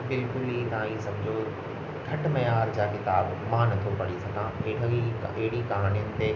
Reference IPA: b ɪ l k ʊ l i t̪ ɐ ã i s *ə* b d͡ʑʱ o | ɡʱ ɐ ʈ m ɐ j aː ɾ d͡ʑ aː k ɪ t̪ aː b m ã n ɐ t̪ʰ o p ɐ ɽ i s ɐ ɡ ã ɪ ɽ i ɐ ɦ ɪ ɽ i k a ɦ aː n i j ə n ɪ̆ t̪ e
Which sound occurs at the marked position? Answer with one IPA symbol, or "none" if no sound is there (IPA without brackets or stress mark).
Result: ɐ